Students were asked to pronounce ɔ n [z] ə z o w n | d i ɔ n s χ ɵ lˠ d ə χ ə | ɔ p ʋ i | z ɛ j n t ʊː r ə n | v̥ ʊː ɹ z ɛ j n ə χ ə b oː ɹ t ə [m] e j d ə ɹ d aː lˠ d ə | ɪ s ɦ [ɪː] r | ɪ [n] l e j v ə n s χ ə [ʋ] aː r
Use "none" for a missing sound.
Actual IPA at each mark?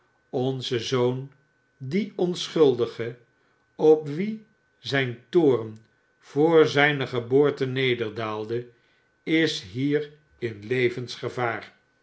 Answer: z, n, iː, n, v

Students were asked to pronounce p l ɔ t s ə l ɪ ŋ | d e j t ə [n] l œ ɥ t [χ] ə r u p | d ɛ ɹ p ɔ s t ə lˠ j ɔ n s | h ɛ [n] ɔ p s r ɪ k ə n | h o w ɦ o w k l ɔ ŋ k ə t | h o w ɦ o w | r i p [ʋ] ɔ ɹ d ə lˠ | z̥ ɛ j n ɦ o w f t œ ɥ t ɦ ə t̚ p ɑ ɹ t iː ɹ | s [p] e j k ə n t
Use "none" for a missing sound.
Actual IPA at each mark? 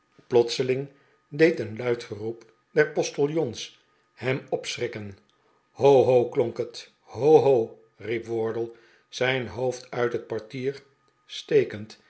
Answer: n, χ, m, ʋ, t

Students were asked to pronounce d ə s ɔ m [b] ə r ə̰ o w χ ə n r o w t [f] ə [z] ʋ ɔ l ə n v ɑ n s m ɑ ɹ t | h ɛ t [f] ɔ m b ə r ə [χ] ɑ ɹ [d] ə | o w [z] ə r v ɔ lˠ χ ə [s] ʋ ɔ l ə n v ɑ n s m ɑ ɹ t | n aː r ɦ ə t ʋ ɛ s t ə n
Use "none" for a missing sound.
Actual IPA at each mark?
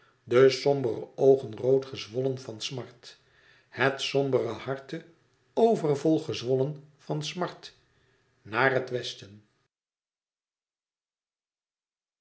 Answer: b, χ, z, s, h, t, v, z

